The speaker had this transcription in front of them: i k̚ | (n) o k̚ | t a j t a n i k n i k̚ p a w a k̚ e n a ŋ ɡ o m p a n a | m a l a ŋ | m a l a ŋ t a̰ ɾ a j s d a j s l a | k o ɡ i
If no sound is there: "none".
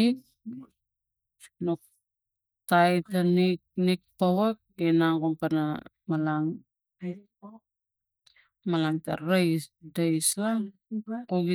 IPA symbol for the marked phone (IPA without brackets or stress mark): n